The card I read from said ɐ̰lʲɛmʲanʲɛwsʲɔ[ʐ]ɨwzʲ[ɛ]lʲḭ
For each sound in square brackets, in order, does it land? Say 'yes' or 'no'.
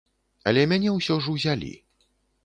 yes, no

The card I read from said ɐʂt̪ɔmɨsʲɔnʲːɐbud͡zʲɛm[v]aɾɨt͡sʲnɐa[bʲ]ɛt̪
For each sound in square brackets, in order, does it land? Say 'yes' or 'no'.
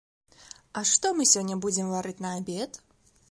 yes, yes

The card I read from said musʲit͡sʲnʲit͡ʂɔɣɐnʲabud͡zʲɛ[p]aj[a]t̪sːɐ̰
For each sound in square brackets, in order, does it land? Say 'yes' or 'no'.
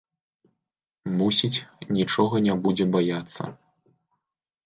no, yes

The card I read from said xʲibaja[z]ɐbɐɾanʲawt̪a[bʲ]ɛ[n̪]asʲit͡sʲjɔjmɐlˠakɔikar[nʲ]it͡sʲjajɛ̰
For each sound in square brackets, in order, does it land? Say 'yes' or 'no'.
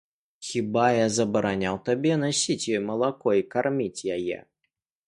yes, yes, yes, no

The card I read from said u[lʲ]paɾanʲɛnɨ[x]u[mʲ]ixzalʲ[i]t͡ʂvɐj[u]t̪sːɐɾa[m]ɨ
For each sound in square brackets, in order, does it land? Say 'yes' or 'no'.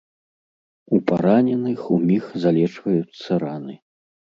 no, yes, yes, no, yes, no

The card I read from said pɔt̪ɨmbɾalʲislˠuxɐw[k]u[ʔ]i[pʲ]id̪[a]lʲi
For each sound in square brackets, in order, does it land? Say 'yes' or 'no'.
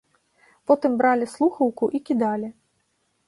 yes, yes, no, yes

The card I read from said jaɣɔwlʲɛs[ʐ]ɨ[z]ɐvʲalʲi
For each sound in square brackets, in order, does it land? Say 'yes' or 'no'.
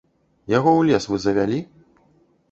no, yes

